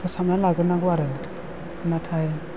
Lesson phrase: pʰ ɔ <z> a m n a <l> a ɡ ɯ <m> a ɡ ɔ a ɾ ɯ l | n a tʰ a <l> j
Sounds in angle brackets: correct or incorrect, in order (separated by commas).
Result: incorrect, correct, incorrect, incorrect